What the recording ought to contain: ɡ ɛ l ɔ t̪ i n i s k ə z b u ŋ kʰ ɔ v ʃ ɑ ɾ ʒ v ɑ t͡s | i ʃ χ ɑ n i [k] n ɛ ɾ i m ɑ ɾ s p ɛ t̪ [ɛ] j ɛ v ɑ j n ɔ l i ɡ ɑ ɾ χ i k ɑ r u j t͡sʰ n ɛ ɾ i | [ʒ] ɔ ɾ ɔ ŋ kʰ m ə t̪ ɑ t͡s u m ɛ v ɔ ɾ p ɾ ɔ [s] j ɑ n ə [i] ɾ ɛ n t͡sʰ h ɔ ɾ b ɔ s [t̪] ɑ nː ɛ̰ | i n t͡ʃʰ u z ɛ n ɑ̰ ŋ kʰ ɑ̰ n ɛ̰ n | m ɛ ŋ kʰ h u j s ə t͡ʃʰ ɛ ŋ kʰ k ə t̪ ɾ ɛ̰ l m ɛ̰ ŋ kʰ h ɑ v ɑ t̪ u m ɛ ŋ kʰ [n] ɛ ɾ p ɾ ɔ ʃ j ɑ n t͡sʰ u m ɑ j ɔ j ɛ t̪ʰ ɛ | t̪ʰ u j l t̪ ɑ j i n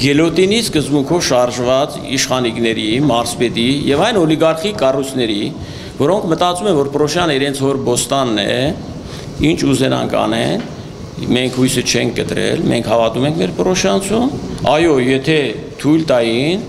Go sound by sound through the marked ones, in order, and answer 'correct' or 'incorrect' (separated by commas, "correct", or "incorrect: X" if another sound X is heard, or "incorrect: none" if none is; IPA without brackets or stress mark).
correct, incorrect: i, incorrect: v, incorrect: ʃ, correct, correct, incorrect: m